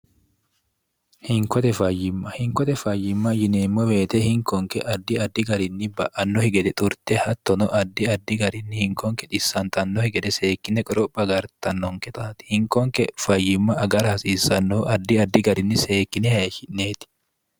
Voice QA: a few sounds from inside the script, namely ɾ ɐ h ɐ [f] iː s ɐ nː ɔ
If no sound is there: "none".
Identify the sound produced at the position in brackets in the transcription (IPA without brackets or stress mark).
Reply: s